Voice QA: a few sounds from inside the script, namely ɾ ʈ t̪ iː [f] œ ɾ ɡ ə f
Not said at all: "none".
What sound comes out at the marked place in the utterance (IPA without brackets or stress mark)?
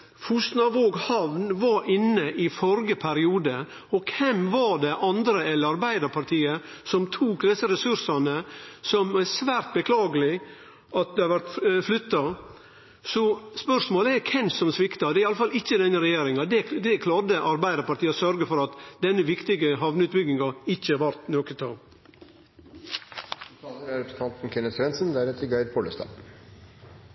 s